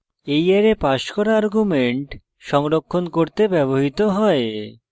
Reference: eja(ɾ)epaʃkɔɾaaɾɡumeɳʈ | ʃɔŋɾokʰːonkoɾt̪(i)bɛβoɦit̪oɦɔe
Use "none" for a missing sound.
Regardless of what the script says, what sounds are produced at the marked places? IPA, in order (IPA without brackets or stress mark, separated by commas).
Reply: ɾ, e